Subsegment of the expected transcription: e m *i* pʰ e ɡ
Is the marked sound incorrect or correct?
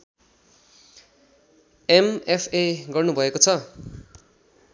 incorrect